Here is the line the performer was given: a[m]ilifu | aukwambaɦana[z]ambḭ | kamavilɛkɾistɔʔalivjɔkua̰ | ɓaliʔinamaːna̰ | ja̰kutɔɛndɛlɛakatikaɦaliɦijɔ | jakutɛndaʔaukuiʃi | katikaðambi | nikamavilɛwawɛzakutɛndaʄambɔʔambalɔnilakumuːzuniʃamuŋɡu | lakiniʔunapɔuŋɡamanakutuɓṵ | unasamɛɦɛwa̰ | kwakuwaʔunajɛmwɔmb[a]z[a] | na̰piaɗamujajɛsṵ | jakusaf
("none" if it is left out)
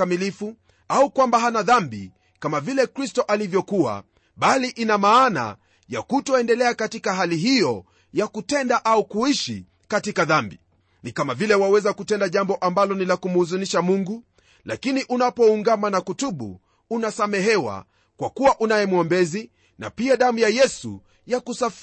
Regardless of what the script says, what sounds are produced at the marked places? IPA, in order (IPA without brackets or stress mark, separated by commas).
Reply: m, ð, ɛ, i